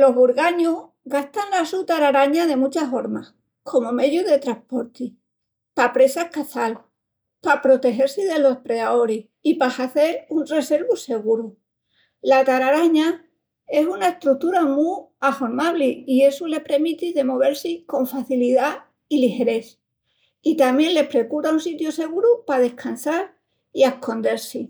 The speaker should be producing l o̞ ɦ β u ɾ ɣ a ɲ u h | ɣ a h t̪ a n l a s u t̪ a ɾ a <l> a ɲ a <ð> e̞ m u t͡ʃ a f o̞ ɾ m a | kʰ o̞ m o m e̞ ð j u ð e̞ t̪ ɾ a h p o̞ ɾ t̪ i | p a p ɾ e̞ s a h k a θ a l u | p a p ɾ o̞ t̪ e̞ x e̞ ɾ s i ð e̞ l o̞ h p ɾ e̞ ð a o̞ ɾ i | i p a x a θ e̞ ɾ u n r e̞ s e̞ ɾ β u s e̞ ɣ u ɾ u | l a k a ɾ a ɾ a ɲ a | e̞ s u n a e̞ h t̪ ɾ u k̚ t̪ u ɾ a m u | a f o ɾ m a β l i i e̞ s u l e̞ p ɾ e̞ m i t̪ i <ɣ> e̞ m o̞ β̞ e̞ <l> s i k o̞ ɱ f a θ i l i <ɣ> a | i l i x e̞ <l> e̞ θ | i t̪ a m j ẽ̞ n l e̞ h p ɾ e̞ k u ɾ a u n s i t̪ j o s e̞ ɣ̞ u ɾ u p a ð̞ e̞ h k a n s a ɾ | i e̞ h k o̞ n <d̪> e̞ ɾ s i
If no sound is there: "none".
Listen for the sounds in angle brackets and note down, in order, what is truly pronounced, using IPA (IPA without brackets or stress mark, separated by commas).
ɾ, ð, ð, ɾ, ð, ɾ, d̪